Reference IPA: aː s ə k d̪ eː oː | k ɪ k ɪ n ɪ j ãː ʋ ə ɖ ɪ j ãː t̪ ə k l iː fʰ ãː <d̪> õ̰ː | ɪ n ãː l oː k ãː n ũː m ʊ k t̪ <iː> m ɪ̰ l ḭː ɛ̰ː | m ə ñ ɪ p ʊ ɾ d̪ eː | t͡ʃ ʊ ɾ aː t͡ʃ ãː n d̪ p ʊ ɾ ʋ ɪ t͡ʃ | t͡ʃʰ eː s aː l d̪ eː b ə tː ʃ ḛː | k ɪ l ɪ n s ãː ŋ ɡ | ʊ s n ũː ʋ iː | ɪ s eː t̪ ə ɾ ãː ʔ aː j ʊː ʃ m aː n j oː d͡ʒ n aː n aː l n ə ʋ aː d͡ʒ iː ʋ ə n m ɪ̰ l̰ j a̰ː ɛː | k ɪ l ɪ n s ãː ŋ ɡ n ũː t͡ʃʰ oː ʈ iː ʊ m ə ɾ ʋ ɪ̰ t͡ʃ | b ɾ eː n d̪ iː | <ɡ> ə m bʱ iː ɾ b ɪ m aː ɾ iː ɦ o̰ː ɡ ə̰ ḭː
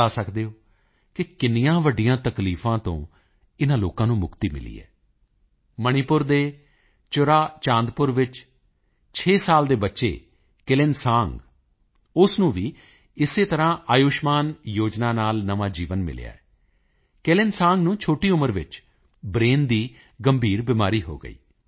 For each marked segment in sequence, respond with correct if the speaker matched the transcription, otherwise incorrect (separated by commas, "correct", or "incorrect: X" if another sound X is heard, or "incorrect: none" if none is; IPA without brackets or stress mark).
incorrect: t̪, correct, correct